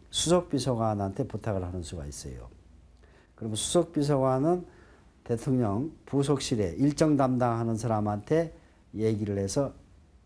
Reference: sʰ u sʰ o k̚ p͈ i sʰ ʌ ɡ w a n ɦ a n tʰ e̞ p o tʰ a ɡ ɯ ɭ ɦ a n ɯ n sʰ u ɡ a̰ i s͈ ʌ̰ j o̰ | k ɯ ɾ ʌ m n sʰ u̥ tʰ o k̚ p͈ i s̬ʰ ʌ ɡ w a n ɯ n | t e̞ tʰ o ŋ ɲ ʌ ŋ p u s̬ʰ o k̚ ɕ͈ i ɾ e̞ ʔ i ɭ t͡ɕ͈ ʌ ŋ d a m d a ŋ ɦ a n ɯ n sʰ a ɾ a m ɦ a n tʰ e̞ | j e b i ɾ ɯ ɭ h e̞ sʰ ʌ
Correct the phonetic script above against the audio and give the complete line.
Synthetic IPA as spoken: sʰ u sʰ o k̚ p͈ i sʰ ʌ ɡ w a n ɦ a n tʰ e̞ p u tʰ a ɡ ɯ ɭ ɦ a n ɯ n sʰ u ɡ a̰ i s͈ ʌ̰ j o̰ | k ɯ ɾ ʌ m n sʰ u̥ sʰ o k̚ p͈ i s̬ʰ ʌ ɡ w a n ɯ n | t e̞ tʰ o ŋ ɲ ʌ ŋ p u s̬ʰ o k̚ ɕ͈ i ɾ e̞ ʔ i ɭ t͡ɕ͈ ʌ ŋ d a m d a ŋ ɦ a n ɯ n sʰ a ɾ a m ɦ a n tʰ e̞ | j e ɡ i ɾ ɯ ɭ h e̞ sʰ ʌ